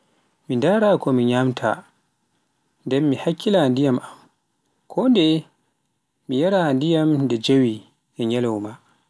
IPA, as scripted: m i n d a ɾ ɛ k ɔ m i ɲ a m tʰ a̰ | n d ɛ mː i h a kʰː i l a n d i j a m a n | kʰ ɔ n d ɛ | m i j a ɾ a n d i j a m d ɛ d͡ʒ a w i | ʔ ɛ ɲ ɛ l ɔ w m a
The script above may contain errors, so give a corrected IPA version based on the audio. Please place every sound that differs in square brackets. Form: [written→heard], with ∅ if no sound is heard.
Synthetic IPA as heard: m i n d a ɾ [ɛ→a] k ɔ m i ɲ a m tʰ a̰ | n d ɛ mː i h a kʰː i l a n d i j a m a [n→m] | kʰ ɔ n d ɛ | m i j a ɾ a n d i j a m d ɛ d͡ʒ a w i | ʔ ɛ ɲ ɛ l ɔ w m a

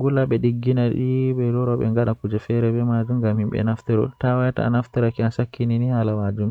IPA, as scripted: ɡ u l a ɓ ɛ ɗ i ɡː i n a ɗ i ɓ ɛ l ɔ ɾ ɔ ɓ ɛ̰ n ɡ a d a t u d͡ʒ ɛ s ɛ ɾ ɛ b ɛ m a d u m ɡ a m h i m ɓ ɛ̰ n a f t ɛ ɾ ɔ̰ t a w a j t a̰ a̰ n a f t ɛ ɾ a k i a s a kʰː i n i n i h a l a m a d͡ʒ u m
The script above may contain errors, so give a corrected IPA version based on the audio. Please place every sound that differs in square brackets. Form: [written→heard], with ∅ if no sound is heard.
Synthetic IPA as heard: ɡ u l a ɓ ɛ ɗ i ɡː i n a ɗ i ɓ ɛ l ɔ ɾ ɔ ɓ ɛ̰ [n→ŋ] ɡ a [d→ɗ] a [t→k] u d͡ʒ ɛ [s→f] ɛ ɾ ɛ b ɛ m a [d→d͡ʒ] u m ɡ a m h i m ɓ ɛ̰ n a f t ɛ ɾ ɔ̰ t a w a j t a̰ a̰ n a f t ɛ ɾ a k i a s a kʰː i n i n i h a l a m a d͡ʒ u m

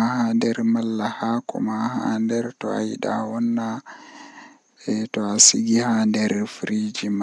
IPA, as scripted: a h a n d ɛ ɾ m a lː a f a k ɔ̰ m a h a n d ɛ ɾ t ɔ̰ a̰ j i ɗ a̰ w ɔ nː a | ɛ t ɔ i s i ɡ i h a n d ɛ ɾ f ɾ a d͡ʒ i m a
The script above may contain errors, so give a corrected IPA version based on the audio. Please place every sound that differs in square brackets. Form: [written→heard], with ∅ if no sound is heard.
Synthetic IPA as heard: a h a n d ɛ ɾ m a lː a [f→h] a k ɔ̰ m a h a n d ɛ ɾ t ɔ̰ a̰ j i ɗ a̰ w ɔ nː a | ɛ t ɔ [i→a] s i ɡ i h a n d ɛ ɾ f ɾ [a→i] d͡ʒ i m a

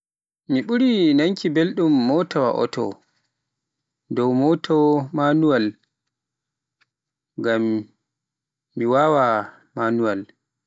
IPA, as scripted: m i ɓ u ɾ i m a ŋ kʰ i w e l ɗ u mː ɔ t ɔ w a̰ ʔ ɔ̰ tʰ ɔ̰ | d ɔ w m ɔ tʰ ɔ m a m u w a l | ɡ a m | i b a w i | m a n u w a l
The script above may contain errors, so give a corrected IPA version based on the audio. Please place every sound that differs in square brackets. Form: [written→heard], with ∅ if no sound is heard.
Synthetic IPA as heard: m i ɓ u ɾ i [m→n] a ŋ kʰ i [w→b] e l ɗ u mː ɔ t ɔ w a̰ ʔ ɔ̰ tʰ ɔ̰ | d ɔ w m ɔ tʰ ɔ m a [m→n] u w a l | ɡ a m | i [b→w] a w [i→a] | m a n u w a l

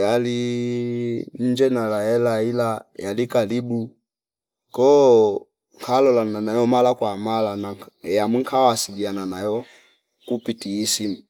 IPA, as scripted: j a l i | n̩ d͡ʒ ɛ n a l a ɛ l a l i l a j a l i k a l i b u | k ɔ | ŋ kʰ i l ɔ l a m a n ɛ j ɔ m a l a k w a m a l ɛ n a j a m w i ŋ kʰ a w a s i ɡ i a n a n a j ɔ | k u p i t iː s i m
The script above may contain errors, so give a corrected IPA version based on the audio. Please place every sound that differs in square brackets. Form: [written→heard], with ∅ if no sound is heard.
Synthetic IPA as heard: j a l i | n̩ d͡ʒ ɛ n a l a ɛ l a [l→∅] i l a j a l i k a l i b u | k ɔ | ŋ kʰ [i→a] l ɔ l a [m→n] a n [ɛ→a] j ɔ m a l a k w a m a l [ɛ→a] n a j a m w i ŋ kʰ a w a s i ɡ i a n a n a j ɔ | k u p i t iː s i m

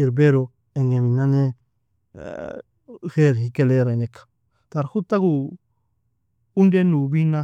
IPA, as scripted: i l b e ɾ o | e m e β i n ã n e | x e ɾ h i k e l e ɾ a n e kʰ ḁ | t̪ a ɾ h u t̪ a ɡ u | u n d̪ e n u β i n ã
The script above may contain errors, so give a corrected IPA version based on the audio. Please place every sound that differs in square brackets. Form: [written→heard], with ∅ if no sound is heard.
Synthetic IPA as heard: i [l→ɾ] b e ɾ o | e [m→ŋ] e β i n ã n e | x e ɾ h i k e l e ɾ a n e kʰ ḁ | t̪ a ɾ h u t̪ a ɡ u | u n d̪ e n u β i n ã

